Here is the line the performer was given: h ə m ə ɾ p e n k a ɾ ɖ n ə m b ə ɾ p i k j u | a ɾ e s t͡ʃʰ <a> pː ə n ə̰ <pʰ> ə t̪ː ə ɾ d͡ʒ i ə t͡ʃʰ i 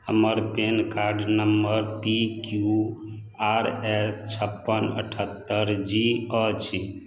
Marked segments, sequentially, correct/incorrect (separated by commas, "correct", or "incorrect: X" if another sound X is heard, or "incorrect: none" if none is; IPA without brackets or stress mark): incorrect: ə, incorrect: ʈʰ